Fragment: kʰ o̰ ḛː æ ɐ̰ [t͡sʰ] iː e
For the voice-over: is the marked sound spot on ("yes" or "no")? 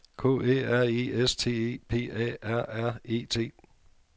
no